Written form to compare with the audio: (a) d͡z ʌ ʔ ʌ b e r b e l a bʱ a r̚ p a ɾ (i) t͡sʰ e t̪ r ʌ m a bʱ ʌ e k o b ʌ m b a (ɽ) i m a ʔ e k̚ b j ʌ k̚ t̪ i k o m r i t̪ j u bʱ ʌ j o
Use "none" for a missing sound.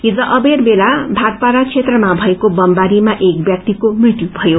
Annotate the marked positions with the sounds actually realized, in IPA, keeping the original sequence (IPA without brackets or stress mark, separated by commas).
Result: i, a, ɾ